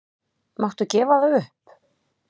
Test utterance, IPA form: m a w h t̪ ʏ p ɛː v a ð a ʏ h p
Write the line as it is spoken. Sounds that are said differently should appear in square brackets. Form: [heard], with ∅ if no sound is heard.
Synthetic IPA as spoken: m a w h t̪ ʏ [c] ɛː v a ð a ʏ h p